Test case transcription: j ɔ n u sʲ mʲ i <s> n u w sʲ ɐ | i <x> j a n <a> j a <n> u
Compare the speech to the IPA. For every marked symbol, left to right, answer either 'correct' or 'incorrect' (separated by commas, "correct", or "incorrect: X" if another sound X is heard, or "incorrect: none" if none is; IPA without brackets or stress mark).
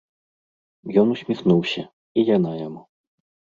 incorrect: x, incorrect: none, correct, incorrect: m